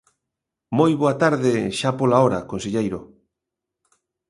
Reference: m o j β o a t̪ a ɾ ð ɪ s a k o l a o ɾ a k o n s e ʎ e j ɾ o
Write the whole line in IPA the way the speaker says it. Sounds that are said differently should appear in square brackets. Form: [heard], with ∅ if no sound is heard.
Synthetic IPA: m o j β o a t̪ a ɾ ð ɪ [ʃ] a [p] o l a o ɾ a k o n s e ʎ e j ɾ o